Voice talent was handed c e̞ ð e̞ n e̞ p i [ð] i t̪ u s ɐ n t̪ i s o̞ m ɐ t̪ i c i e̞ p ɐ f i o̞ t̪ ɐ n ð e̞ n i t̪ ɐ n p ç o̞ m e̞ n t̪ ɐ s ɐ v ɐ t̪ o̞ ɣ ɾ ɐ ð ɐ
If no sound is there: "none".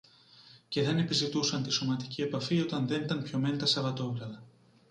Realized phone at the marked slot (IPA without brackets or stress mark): z